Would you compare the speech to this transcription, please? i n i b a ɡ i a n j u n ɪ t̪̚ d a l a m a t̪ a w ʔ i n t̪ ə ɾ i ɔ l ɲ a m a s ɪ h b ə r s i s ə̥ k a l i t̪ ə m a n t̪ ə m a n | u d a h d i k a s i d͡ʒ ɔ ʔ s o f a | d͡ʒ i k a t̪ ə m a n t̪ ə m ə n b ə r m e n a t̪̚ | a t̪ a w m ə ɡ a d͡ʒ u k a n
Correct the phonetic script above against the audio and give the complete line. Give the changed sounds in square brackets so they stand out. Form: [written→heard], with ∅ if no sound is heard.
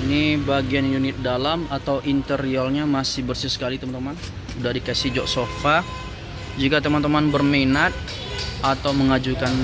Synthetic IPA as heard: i n i b a ɡ i a n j u n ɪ t̪̚ d a l a m a t̪ a w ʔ i n t̪ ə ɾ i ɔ l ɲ a m a s ɪ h b ə r s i s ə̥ k a l i t̪ ə m a n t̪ ə m a n | u d a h d i k a s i d͡ʒ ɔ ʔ s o f a | d͡ʒ i k a t̪ ə m a n t̪ ə m [ə→a] n b ə r m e n a t̪̚ | a t̪ a w m ə [ɡ→ŋ] a d͡ʒ u k a n